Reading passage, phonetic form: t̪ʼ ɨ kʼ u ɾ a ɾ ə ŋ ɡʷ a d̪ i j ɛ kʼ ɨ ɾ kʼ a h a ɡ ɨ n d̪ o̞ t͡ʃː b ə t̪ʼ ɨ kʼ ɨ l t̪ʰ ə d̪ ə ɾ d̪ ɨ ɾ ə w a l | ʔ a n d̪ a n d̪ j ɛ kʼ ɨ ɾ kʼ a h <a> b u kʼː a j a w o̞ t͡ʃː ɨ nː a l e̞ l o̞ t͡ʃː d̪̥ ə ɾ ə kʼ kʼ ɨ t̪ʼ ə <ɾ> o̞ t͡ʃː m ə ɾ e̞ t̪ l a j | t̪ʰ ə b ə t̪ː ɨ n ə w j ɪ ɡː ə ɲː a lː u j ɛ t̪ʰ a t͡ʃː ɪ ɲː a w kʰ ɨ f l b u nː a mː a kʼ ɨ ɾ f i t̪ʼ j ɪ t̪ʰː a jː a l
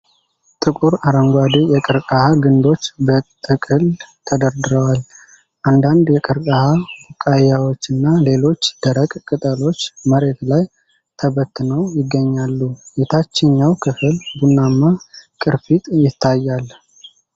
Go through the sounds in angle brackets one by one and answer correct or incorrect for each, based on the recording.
correct, incorrect

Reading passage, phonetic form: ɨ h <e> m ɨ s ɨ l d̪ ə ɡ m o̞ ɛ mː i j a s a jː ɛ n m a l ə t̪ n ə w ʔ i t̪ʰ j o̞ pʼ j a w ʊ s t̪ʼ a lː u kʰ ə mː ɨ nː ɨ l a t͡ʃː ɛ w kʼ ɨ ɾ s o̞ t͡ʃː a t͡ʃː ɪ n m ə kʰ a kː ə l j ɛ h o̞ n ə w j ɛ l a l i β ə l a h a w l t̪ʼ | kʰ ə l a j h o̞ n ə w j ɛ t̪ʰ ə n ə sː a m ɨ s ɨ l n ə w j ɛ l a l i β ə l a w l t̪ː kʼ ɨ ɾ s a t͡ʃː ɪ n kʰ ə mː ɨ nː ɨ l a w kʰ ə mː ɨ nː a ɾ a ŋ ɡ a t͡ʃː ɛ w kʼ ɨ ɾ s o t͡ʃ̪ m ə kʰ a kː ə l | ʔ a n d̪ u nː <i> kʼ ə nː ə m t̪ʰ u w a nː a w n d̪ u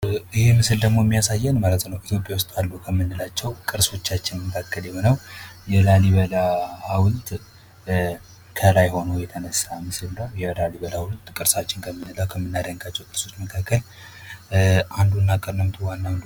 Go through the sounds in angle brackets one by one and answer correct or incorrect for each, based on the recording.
correct, incorrect

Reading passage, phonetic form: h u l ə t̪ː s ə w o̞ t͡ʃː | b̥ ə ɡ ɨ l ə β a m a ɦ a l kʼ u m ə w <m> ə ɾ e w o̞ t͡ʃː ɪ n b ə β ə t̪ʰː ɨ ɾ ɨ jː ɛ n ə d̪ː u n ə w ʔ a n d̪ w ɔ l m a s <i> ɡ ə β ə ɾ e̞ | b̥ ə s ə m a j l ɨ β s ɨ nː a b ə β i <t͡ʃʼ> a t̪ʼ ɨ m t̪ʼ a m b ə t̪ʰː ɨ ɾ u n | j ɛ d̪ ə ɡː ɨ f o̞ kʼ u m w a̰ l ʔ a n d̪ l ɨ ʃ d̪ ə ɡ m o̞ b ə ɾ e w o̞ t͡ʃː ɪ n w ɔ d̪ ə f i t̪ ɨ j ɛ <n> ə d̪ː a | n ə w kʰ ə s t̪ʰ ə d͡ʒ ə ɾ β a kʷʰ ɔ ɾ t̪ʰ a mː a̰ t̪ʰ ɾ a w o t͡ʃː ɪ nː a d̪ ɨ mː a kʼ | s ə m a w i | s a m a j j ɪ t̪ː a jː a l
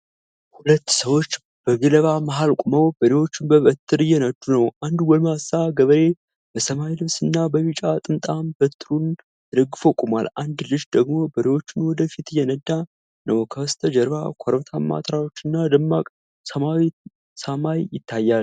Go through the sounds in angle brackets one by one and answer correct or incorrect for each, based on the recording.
incorrect, incorrect, correct, correct

